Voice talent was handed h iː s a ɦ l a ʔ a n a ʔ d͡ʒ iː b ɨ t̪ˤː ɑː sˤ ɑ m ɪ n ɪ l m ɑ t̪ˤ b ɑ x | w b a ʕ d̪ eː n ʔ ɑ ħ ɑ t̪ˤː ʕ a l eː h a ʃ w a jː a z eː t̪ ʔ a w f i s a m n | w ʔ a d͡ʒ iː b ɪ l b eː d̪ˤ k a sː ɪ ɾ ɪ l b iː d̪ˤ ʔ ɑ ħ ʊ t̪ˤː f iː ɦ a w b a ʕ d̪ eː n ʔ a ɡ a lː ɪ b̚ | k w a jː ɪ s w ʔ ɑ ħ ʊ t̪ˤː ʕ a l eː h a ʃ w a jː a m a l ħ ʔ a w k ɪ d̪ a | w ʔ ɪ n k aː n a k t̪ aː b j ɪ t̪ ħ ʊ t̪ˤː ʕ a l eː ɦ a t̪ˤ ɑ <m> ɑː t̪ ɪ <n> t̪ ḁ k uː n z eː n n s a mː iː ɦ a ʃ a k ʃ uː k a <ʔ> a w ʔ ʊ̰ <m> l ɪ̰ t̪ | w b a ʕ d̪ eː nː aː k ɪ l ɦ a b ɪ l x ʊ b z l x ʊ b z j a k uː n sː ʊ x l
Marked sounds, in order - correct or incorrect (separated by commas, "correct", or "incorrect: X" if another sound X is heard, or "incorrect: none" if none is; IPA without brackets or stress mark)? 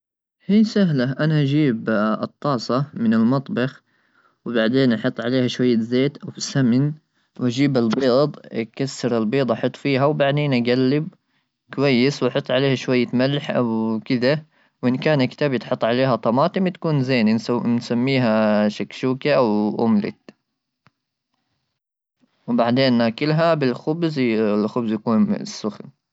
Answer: correct, incorrect: m, correct, correct